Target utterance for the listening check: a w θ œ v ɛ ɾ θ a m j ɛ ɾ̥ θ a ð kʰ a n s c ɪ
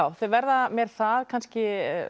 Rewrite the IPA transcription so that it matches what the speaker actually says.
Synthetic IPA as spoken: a w θ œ v ɛ ɾ ð a m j ɛ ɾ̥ θ a ð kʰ a n s c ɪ

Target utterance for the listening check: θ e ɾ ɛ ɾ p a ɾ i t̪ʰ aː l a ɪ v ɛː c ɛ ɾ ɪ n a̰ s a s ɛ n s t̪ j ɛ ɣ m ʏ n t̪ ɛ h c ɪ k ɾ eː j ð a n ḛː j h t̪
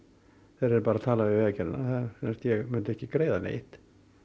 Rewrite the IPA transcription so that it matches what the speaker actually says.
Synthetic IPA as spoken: θ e ɾ ɛ ɾ p a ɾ a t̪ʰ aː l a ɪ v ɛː c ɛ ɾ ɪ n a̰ θ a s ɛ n s t̪ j ɛ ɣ m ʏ n t̪ ɛ h c ɪ k ɾ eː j ð a n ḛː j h t̪

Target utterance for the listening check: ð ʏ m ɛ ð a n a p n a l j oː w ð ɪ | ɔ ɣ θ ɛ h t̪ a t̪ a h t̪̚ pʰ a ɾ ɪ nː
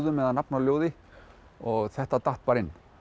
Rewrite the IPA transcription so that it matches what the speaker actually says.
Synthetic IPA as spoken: ð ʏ m ɛ ð a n a p n a l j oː w ð ɪ | ɔ ɣ θ ɛ h t̪ a t̪ a h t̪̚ p a ɾ ɪ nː

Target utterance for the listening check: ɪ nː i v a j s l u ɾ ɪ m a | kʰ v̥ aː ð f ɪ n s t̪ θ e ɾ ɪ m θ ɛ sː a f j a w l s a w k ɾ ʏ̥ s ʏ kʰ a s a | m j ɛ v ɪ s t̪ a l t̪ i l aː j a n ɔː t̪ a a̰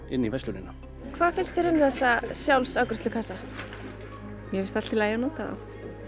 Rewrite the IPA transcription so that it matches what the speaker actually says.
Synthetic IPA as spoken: ɪ nː i v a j s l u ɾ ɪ n a | kʰ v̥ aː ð f ɪ n s t̪ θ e ɾ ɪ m θ ɛ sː a s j a w l s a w k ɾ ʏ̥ s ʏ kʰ a s a | m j ɛ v ɪ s t̪ a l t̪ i l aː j a n ɔː t̪ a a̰

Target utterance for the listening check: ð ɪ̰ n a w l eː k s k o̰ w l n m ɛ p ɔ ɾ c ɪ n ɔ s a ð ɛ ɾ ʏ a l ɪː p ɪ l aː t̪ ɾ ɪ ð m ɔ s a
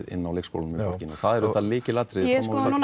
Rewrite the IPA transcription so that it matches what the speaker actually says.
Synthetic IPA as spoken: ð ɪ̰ nː a w l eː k s k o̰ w l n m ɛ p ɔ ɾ c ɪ n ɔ θ a ð ɛ ɾ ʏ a l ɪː c ɪ l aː t̪ ɾ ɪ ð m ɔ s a

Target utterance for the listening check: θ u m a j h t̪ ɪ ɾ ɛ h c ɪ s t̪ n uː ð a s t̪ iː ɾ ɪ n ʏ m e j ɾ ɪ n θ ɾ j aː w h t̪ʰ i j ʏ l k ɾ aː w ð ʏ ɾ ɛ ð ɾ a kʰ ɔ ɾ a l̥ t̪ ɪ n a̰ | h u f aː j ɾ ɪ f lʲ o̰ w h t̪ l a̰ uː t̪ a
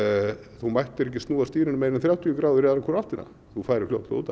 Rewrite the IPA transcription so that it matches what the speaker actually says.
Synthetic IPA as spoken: θ u m a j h t̪ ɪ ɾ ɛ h c ɪ s t̪ n uː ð a s t̪ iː ɾ ɪ n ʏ m e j ɾ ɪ n θ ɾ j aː w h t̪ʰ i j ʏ k ɾ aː w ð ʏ ɾ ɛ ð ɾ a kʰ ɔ ɾ a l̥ t̪ ɪ n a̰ | θ u f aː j ɾ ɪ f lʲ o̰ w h t̪ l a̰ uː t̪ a

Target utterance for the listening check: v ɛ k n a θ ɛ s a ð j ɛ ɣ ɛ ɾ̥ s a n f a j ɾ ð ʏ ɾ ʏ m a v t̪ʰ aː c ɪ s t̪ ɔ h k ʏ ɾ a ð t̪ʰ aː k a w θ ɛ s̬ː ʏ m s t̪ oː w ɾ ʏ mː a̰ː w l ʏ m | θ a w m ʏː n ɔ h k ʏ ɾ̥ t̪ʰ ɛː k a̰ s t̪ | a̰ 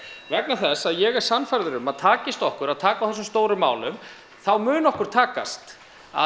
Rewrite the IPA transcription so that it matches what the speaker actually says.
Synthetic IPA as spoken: v ɛ k n a θ ɛ s a ð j ɛ ɣ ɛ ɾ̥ s a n f a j ɾ ð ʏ ɾ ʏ m a ð t̪ʰ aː c ɪ s t̪ ɔ h k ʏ ɾ a ð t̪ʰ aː k a w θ ɛ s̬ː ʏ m s t̪ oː w ɾ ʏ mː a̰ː w l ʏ m | θ a w m ʏː n ɔ h k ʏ ɾ̥ t̪ʰ aː k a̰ s t̪ | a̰

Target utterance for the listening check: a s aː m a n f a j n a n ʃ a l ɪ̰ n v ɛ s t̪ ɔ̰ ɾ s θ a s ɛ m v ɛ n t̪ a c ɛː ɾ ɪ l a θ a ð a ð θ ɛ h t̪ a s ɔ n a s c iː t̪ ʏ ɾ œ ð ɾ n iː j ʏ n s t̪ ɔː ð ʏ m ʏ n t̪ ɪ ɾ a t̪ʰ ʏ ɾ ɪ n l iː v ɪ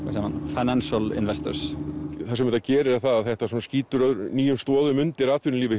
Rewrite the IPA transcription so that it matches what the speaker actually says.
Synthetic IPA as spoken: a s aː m a n f a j n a n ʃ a l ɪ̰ n v ɛ s t̪ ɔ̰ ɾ s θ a s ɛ m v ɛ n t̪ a c ɛː ɾ ɪ ɾ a θ a ð a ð θ ɛ h t̪ a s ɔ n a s c iː t̪ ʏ ɾ œ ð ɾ n iː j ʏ m s t̪ ɔː ð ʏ m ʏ n t̪ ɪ ɾ a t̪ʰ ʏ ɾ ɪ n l iː v ɪ

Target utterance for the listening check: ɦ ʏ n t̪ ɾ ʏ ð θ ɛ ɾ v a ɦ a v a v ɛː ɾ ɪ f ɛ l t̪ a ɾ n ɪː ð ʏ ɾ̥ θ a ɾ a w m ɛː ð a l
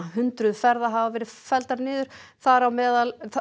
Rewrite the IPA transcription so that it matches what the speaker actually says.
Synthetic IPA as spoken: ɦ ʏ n t̪ ɾ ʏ ð f ɛ ɾ ð a ɦ a v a v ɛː ɾ ɪ f ɛ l t̪ a ɾ n ɪː ð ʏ ɾ̥ θ a ɾ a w m ɛː ð a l

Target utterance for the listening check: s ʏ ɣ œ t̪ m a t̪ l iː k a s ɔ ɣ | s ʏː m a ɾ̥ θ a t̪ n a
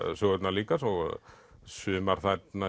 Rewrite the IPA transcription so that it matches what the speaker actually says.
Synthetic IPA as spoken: s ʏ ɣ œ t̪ n a l iː k a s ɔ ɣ | s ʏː m a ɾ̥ θ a t̪ n a

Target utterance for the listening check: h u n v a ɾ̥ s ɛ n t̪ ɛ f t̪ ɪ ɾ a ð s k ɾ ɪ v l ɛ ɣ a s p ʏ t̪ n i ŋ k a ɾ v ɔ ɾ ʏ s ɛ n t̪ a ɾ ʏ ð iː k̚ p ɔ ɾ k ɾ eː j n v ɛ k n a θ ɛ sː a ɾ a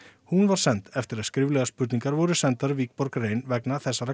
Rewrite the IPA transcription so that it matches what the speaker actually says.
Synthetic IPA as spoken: h u n v a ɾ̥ s ɛ n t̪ ɛ f t̪ ɪ ɾ a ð s k ɾ ɪ v l ɛ ɣ a s p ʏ t̪ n i ŋ k a ɾ v ɔ ɾ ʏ s ɛ n t̪ a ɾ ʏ v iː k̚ p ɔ ɾ k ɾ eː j n v ɛ k n a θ ɛ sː a ɾ a

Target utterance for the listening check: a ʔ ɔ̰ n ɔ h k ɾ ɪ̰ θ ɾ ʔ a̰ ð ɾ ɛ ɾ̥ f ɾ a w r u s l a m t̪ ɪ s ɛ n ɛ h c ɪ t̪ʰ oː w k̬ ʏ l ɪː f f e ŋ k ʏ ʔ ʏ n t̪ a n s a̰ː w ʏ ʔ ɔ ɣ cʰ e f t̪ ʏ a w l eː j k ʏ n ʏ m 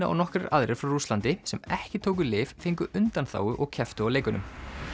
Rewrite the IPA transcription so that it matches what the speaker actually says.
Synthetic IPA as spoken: a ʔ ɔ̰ n ɔ h k ɾ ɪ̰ ɾ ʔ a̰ ð ɾ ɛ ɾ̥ f ɾ a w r u s l a n t̪ ɪ s ɛ m ɛ h c ɪ t̪ʰ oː w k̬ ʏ l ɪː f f e ŋ k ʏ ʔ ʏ n t̪ a n θ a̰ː w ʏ ʔ ɔ ɣ cʰ ɛ f t̪ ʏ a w l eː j k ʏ n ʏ m

